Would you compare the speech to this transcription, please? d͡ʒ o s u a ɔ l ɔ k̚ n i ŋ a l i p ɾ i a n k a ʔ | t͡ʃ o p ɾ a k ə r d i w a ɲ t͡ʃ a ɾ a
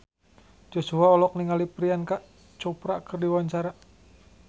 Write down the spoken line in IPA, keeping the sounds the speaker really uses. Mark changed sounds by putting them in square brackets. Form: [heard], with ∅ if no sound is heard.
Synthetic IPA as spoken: d͡ʒ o s u a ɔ l ɔ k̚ n i ŋ a l i p ɾ i a n k a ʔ | t͡ʃ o p ɾ a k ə r d i w a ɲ t͡ʃ a ɾ a